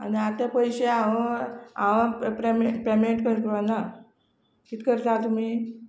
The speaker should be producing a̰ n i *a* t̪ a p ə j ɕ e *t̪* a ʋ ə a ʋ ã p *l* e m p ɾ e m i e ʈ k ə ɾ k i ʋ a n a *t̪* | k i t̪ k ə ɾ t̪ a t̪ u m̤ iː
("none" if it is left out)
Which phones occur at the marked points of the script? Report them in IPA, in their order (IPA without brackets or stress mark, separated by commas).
a, none, ɾ, none